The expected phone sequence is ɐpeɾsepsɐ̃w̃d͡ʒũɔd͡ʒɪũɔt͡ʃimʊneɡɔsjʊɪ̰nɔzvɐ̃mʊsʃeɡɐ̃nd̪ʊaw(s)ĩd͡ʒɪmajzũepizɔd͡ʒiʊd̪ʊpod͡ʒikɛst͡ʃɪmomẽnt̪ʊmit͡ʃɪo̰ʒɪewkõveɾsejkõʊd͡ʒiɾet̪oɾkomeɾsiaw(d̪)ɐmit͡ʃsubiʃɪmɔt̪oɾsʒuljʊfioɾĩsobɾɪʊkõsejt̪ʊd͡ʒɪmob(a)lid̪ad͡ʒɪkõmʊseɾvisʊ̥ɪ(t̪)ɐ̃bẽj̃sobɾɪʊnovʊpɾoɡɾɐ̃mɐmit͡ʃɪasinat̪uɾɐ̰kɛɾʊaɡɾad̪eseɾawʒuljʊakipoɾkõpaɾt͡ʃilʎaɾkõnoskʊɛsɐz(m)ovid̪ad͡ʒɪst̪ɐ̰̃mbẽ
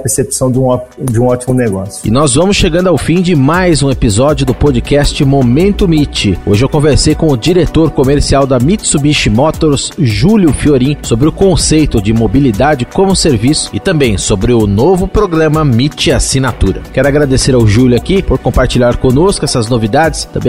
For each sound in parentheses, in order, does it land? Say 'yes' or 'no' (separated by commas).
no, yes, no, yes, no